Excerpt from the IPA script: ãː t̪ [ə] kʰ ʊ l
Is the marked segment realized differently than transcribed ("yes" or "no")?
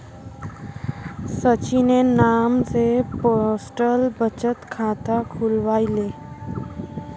yes